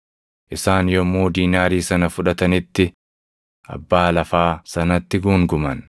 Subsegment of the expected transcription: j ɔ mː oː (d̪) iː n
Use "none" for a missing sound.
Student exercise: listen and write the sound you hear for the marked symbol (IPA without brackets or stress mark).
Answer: d̪